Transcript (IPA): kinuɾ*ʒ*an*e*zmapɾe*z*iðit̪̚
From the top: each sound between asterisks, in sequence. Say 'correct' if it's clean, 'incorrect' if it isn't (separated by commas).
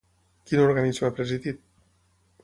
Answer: incorrect, incorrect, correct